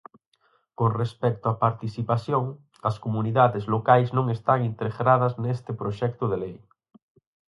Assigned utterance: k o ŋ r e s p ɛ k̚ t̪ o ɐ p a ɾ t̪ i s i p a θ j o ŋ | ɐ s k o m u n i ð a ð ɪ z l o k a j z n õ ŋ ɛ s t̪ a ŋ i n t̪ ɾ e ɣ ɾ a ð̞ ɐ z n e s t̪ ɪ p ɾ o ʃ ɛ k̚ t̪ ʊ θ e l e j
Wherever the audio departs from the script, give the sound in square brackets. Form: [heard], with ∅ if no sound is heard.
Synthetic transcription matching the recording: k o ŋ r e s p ɛ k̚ t̪ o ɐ p a ɾ t̪ i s i p a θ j o ŋ | ɐ s k o m u n i ð a ð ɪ z l o k a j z n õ ŋ [e] s t̪ a ŋ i n t̪ ɾ e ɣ ɾ a ð̞ ɐ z n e s t̪ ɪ p ɾ o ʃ ɛ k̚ t̪ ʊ [ð] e l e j